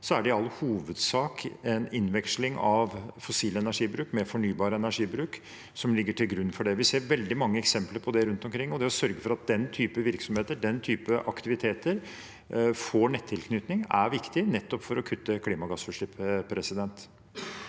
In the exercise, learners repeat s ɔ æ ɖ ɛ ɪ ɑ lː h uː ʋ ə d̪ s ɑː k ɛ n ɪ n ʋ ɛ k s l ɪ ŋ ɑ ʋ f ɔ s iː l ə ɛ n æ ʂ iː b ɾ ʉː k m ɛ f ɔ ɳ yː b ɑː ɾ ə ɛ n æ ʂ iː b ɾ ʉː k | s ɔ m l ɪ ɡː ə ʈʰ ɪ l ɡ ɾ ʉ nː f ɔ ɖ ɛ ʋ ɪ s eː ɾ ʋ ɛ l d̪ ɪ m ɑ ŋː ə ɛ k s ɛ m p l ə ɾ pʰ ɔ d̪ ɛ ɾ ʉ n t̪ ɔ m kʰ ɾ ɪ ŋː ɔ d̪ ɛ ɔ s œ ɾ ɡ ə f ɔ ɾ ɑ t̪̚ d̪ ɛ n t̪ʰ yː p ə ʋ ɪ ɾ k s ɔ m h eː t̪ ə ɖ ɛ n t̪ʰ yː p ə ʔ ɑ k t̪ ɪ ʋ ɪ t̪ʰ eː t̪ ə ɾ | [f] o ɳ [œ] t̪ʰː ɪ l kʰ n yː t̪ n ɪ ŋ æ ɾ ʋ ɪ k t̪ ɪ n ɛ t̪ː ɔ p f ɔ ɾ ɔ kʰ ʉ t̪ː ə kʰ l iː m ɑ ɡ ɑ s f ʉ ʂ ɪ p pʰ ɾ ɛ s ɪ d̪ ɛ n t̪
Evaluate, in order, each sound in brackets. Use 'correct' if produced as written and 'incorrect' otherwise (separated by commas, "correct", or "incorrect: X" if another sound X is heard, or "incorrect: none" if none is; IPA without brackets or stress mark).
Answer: correct, incorrect: ɛ